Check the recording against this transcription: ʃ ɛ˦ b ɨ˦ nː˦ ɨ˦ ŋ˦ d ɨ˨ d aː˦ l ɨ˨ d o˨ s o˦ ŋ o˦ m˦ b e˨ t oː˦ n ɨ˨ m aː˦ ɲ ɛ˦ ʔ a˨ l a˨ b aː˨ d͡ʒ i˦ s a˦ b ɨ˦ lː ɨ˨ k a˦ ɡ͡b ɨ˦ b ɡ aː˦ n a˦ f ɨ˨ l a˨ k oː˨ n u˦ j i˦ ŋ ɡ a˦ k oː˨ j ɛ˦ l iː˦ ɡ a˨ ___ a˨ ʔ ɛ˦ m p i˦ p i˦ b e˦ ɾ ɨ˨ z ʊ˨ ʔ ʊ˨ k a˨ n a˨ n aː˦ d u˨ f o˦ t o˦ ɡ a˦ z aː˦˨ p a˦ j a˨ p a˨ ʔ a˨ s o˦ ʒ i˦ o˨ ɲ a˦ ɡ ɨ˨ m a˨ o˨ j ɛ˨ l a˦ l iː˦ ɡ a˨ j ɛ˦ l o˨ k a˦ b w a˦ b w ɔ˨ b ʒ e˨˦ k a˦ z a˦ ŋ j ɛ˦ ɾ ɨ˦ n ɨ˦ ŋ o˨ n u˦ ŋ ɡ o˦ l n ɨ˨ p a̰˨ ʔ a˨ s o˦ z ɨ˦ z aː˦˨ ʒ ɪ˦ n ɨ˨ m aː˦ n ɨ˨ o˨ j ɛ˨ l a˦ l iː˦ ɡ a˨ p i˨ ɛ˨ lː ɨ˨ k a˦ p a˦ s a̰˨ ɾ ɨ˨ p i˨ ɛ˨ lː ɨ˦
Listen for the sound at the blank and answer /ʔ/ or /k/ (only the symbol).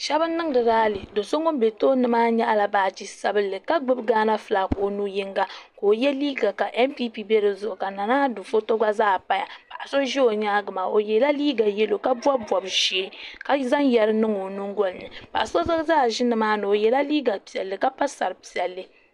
k